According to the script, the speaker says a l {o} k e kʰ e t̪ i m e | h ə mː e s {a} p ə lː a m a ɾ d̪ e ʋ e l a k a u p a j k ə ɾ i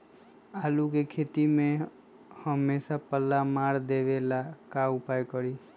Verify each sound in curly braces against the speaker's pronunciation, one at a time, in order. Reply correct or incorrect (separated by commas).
incorrect, correct